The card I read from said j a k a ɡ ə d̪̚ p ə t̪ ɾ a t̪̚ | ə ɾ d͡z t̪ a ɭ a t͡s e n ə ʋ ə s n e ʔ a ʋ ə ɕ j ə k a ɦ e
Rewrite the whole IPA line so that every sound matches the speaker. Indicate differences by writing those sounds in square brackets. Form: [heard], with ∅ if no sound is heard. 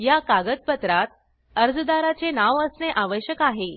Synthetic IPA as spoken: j a k a ɡ ə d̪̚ p ə t̪ ɾ a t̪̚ | ə ɾ d͡z [d̪] a [ɾ] a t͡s e n [a] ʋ ə s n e ʔ a ʋ ə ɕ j ə k a ɦ e